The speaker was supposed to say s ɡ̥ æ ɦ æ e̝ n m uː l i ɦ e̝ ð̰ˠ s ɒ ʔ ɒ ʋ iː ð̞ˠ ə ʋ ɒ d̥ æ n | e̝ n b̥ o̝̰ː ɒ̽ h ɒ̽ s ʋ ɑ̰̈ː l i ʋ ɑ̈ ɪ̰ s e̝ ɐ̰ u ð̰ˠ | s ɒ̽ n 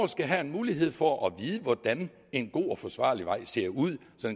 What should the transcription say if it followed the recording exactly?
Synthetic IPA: s ɡ̥ æ ɦ æ e̝ n m uː l i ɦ e̝ ð̰ˠ f ɒ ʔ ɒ ʋ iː ð̞ˠ ə ʋ ɒ d̥ æ n | e̝ n ɡ̥ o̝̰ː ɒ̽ f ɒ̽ s ʋ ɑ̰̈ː l i ʋ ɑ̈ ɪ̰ s e̝ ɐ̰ u ð̰ˠ | s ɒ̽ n